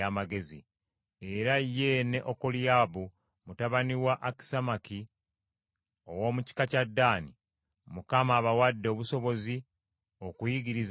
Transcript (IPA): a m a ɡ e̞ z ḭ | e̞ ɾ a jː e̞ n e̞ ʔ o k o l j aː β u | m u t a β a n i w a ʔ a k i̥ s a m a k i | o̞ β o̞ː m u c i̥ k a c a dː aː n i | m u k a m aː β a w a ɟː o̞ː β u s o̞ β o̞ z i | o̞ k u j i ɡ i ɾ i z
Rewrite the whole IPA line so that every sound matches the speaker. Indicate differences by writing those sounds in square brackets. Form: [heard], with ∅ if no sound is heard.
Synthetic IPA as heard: a m a ɡ e̞ z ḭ | e̞ ɾ a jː e̞ n e̞ ʔ o k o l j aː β u | m u t a β a n i w a ʔ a k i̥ s a m a k i | o̞ [w] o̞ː m u c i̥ k a c a dː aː n i | m u k a m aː β a w a [dː] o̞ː β u s o̞ β o̞ z i | o̞ k u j i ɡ i ɾ i z